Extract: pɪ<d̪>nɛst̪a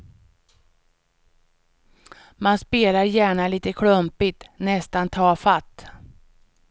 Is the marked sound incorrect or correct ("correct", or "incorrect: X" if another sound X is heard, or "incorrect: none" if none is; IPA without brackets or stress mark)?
incorrect: t̪